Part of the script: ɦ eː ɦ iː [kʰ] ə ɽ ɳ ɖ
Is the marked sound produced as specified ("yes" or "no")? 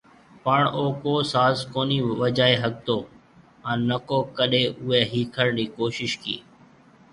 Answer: yes